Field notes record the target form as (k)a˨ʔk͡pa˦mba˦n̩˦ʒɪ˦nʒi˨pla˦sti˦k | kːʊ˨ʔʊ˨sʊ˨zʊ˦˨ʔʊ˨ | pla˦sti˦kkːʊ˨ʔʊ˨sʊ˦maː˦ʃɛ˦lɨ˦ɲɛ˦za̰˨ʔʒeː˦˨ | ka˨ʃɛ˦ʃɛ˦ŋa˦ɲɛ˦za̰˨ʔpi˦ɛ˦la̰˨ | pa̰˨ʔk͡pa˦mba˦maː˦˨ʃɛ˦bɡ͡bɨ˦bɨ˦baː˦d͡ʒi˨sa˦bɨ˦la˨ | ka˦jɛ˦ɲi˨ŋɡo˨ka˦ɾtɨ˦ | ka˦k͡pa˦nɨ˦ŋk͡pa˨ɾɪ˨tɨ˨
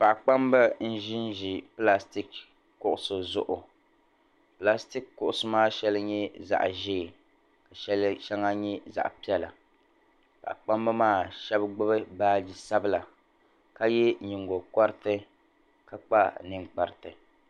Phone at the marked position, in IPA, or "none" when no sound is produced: p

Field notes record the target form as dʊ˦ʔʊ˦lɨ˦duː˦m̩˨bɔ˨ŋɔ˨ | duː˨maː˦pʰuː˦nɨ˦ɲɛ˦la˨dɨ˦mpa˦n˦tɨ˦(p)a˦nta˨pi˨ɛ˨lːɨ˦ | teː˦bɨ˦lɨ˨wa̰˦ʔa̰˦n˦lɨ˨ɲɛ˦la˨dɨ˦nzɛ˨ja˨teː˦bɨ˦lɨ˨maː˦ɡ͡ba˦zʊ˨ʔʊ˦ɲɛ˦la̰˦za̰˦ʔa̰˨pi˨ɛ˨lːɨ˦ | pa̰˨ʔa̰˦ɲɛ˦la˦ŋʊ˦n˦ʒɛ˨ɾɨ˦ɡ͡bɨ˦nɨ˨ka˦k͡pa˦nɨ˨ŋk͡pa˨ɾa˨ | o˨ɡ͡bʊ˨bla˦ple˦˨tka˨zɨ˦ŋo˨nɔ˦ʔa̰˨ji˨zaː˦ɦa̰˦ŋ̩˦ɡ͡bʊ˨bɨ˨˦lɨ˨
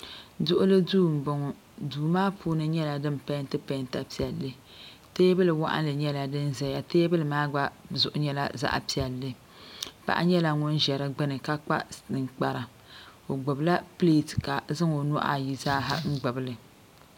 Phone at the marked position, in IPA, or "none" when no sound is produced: p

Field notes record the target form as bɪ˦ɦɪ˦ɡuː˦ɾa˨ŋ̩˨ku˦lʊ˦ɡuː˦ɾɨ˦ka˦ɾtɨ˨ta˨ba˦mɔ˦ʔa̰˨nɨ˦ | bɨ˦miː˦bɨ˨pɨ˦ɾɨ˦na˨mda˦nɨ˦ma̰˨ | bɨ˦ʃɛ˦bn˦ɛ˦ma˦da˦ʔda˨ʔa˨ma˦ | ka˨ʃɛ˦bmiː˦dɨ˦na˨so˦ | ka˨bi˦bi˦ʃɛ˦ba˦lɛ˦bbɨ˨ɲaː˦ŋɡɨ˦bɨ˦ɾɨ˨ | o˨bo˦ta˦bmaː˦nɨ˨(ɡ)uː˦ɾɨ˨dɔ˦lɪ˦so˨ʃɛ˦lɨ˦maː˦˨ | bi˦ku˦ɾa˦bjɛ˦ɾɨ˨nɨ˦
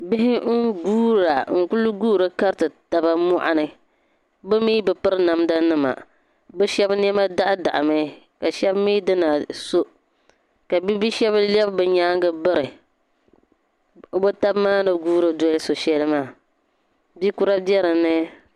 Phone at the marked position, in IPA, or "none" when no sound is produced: ɡ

